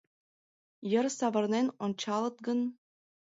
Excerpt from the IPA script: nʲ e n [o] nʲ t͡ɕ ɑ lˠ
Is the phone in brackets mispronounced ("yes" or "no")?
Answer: no